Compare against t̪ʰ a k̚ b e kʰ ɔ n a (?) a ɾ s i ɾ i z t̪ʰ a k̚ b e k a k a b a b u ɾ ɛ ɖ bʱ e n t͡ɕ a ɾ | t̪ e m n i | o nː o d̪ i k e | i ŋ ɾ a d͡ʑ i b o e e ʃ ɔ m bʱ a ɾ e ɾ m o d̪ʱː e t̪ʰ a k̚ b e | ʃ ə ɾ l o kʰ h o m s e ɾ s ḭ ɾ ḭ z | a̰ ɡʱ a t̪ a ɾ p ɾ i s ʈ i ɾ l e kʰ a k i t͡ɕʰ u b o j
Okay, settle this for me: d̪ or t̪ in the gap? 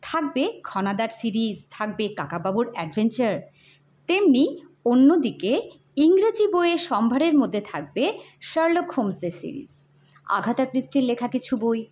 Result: d̪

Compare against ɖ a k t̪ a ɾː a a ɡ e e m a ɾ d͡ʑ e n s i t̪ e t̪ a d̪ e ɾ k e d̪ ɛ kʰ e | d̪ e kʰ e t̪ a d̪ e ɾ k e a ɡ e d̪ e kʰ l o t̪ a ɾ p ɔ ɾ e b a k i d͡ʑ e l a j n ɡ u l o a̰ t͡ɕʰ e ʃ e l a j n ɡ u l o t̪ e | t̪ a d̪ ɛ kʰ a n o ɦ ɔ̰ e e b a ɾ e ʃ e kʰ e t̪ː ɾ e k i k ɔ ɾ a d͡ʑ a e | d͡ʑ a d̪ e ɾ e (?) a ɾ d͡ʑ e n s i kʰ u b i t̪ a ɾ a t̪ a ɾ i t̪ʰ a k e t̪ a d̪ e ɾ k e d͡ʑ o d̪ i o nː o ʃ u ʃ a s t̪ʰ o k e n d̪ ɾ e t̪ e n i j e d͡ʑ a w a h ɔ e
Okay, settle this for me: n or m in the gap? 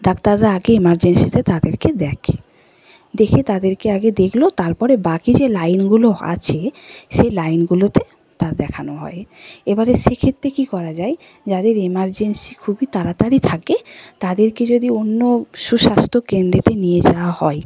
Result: m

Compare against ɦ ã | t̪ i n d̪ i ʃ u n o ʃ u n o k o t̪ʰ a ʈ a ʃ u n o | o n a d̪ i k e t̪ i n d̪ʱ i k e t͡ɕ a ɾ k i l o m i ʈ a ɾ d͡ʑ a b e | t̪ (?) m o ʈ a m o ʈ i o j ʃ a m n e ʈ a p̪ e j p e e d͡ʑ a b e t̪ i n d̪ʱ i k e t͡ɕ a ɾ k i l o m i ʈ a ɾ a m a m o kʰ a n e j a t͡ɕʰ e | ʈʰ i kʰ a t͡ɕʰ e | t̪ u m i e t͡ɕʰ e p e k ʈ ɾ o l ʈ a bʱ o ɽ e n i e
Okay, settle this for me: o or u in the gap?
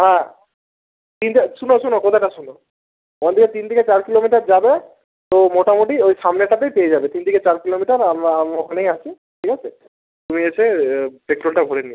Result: o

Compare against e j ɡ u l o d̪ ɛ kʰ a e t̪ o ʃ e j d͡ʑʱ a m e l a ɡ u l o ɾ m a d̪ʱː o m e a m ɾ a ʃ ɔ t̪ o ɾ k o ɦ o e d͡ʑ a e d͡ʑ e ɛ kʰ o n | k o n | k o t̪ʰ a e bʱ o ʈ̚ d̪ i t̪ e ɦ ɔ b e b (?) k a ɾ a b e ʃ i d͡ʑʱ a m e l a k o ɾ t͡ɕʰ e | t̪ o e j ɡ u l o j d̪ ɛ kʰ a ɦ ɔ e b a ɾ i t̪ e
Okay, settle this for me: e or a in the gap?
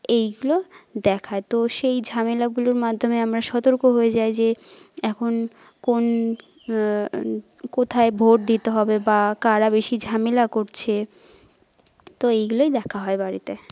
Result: a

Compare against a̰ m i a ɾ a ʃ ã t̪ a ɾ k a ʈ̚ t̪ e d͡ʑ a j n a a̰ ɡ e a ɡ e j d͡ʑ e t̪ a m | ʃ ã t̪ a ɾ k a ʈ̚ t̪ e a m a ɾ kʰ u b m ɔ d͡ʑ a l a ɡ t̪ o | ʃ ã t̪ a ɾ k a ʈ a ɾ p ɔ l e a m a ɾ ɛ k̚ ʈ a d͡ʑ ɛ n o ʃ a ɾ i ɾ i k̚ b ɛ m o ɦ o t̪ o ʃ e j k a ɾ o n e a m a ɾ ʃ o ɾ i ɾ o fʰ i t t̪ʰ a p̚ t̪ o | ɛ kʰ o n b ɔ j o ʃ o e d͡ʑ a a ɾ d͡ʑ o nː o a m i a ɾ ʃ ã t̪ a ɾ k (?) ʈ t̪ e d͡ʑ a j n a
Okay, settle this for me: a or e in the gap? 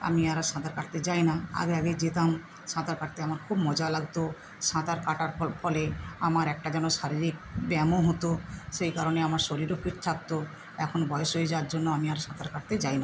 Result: a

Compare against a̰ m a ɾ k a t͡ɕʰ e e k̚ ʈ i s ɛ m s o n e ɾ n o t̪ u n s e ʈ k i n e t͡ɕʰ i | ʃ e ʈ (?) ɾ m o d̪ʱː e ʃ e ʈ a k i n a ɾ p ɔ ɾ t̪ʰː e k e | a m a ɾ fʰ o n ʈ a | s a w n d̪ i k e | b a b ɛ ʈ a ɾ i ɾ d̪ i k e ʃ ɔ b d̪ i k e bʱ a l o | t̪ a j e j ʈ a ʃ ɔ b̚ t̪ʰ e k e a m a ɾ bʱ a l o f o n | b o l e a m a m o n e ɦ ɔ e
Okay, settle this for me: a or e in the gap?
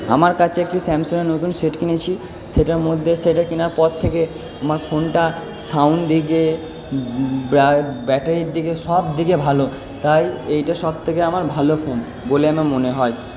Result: a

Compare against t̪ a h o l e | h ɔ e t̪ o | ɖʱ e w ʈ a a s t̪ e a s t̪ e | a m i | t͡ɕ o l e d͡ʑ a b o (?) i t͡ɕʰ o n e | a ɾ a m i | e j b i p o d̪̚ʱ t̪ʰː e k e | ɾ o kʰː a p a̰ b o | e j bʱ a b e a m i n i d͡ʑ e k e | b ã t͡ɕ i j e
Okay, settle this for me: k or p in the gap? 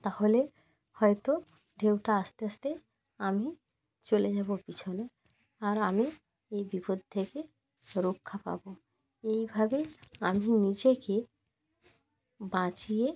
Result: p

